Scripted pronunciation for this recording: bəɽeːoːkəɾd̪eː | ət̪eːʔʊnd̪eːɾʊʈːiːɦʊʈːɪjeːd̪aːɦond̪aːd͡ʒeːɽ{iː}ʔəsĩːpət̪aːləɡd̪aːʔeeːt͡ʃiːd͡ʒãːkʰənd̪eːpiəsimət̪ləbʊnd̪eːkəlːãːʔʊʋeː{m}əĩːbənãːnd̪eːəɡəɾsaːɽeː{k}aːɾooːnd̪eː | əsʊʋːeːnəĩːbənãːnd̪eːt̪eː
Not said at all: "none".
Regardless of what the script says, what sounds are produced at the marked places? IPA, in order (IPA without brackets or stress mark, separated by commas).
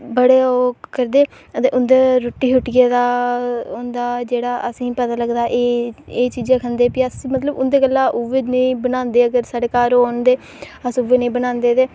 aː, n, k